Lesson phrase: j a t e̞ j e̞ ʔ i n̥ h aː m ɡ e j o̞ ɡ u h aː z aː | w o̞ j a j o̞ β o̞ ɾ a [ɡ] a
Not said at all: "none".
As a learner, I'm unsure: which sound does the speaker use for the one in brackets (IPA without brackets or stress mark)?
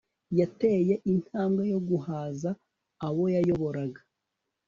ɡ